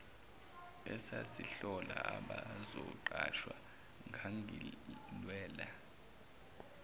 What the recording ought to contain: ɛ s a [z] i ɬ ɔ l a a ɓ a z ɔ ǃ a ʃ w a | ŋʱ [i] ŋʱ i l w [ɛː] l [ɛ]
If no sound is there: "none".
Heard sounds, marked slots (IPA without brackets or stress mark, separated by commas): s, a, ɛː, a